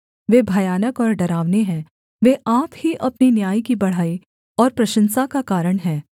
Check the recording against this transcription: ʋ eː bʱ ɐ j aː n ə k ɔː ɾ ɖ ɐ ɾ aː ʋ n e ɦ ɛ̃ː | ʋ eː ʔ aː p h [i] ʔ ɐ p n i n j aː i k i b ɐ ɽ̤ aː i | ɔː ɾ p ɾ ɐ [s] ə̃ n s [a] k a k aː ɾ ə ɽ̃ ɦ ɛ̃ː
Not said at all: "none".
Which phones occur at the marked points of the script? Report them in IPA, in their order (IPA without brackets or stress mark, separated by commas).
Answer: i, ʃ, a